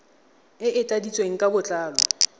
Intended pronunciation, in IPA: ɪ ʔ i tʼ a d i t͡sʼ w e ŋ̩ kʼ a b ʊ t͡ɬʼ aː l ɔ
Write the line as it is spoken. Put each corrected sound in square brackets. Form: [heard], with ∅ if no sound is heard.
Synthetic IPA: ɪ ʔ [ɪ] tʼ a d i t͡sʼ w e ŋ̩ kʼ a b ʊ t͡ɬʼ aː l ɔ